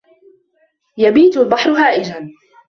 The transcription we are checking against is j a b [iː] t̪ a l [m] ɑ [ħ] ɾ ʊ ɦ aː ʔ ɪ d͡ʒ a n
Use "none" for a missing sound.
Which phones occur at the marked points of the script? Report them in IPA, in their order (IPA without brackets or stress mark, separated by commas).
iː, b, ħ